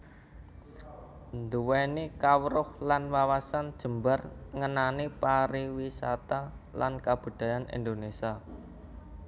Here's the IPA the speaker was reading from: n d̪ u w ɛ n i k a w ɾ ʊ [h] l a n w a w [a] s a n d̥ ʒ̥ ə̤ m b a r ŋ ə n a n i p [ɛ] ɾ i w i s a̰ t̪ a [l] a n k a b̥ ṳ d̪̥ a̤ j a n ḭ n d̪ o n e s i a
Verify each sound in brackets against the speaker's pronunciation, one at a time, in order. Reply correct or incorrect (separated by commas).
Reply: correct, correct, incorrect, correct